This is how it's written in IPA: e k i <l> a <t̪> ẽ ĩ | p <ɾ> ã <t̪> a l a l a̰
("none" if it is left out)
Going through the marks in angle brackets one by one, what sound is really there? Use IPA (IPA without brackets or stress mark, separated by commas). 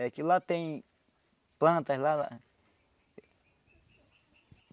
l, t̪, l, t̪